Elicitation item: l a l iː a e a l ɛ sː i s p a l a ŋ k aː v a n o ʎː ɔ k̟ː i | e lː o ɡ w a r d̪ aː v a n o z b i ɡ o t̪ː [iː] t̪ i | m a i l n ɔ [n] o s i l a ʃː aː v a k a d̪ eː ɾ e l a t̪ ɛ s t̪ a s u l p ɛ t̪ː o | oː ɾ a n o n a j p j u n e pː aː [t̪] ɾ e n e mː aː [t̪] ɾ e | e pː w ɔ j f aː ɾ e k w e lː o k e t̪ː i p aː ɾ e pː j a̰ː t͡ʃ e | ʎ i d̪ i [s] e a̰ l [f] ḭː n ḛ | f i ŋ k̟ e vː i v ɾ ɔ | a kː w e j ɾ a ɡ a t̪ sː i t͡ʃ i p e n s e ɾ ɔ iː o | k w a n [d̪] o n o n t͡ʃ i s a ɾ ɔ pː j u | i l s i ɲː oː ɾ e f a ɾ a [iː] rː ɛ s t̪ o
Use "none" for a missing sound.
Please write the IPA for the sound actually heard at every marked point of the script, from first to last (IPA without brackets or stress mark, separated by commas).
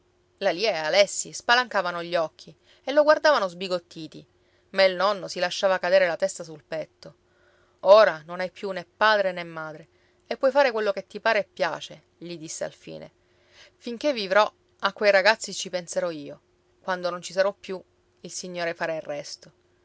iː, nː, d̪, d̪, sː, f, d̪, i